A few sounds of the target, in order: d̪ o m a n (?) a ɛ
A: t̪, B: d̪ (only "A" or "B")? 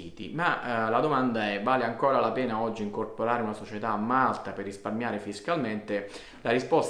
B